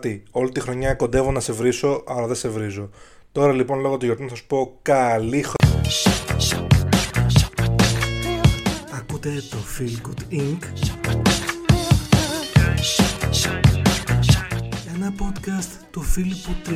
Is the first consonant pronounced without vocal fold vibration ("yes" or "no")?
yes